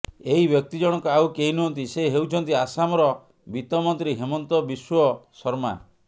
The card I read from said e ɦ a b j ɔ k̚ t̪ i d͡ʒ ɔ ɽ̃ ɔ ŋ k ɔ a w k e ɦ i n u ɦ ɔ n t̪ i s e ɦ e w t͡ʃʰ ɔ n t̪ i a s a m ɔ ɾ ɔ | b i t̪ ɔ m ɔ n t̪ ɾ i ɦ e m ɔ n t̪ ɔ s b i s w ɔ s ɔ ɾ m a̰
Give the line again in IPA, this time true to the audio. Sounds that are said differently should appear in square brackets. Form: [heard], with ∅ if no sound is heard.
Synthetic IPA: e ɦ [i] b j ɔ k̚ t̪ i d͡ʒ ɔ ɽ̃ ɔ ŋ k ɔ a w k e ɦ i n u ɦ ɔ n t̪ i s e ɦ e w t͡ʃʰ ɔ n t̪ i a s a m ɔ ɾ ɔ | b i t̪ ɔ m ɔ n t̪ ɾ i ɦ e m ɔ n t̪ ɔ [∅] b i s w ɔ s ɔ ɾ m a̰